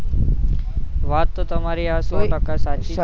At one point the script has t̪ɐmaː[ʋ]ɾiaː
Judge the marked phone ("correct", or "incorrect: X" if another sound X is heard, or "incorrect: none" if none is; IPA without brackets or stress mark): incorrect: none